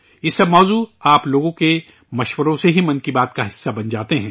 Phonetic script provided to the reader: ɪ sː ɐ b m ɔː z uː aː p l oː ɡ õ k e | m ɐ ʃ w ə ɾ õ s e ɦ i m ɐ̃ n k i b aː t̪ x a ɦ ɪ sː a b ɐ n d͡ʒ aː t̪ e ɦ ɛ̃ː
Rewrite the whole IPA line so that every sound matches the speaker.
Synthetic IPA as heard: ɪ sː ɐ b m ɔː z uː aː p l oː ɡ õ k e | m ɐ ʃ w ə ɾ õ s e ɦ i m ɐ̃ n k i b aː t̪ k a ɦ ɪ sː a b ɐ n d͡ʒ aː t̪ e ɦ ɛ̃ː